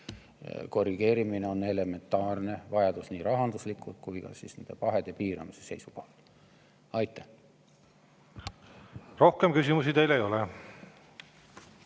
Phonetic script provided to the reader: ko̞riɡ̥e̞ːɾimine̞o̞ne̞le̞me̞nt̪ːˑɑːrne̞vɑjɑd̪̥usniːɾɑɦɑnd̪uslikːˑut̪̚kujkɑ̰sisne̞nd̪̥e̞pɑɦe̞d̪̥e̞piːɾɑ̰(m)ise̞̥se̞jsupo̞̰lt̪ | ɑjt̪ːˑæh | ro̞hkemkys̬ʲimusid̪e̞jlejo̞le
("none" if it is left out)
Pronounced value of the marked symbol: m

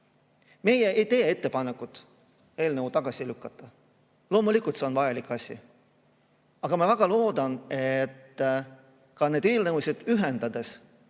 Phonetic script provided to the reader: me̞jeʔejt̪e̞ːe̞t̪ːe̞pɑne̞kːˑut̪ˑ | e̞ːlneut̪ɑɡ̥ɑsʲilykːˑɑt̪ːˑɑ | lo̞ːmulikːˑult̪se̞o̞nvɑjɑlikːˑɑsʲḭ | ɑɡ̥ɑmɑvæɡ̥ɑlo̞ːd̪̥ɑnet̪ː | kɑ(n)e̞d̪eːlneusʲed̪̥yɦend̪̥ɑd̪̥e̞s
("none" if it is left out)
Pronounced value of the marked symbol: n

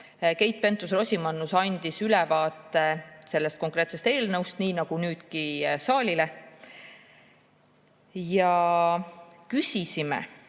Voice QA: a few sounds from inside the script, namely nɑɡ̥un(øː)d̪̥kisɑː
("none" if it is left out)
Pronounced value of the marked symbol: yː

